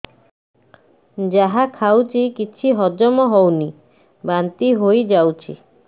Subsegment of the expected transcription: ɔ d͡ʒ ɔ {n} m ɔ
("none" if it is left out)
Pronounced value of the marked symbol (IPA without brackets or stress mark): none